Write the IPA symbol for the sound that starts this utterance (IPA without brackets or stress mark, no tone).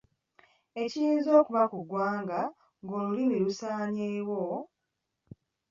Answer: e̞